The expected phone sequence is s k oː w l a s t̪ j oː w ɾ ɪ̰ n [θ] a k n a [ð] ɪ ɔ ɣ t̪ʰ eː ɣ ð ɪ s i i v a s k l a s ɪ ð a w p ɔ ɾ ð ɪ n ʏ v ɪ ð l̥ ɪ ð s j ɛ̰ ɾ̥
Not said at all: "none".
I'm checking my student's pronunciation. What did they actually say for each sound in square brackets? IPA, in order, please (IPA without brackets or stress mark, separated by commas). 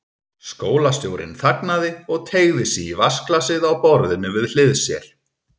θ, ð